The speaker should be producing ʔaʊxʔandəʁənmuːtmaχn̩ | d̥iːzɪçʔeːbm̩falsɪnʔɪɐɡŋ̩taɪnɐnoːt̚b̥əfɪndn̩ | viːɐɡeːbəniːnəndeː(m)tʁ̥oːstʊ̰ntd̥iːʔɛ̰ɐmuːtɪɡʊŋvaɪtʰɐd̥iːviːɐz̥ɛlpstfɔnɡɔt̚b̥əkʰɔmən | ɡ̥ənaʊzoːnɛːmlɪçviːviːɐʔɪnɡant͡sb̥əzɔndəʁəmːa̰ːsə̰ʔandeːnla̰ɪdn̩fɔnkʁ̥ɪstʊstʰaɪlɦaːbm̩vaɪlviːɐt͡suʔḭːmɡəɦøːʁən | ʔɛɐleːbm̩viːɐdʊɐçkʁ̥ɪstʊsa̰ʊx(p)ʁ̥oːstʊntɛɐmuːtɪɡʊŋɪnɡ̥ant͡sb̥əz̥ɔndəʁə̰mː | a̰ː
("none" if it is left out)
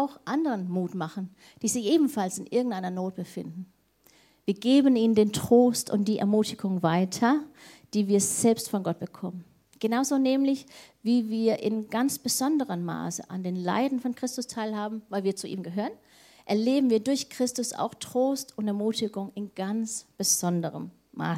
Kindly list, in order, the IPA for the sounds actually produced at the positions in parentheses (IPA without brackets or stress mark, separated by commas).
n, t